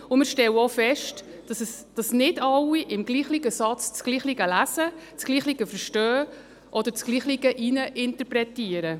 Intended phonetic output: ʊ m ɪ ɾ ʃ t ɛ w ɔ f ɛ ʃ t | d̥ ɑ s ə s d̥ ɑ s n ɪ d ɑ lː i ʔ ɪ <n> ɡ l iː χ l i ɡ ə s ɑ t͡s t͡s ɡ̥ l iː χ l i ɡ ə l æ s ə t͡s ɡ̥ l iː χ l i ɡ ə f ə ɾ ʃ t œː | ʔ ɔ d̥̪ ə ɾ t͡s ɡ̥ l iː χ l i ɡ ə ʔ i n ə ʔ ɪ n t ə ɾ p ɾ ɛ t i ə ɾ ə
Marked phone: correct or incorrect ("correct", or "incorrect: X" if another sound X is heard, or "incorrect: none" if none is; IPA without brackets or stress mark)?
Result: incorrect: m